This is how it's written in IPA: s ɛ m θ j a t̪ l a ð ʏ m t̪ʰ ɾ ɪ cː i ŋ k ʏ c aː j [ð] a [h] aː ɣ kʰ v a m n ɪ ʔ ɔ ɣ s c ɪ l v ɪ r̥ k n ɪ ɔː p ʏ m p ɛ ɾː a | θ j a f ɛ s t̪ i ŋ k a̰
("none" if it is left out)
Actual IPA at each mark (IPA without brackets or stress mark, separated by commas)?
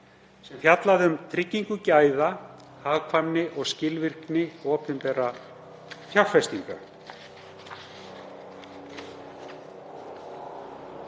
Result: ð, h